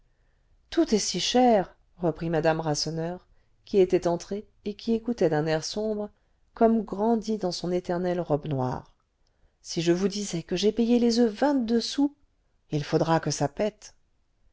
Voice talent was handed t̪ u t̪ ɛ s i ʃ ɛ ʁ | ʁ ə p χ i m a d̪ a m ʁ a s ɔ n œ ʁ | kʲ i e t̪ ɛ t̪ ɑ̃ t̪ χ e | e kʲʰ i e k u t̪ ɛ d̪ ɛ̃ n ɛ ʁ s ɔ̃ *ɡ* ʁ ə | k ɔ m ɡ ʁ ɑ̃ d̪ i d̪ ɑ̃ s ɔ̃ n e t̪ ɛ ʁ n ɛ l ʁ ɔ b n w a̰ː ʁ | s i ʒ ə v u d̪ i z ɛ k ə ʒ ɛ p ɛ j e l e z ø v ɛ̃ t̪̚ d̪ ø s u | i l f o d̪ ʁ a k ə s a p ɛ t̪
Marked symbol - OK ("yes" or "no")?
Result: no